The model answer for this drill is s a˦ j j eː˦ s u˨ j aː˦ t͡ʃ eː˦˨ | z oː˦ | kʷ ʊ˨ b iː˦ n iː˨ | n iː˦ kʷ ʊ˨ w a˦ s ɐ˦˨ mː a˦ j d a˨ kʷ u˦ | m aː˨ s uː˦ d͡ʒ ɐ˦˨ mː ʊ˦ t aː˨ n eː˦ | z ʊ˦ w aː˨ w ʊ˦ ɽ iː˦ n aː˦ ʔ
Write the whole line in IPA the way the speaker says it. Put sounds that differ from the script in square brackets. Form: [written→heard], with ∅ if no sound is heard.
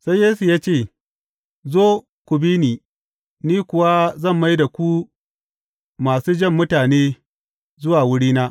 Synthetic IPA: s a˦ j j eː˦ s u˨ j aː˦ t͡ʃ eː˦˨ | z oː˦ | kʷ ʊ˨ b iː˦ n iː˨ | n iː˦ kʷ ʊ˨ w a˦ [s→z] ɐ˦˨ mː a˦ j d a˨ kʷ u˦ | m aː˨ s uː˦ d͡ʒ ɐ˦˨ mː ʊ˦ t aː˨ n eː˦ | z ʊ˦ w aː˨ w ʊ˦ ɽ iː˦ n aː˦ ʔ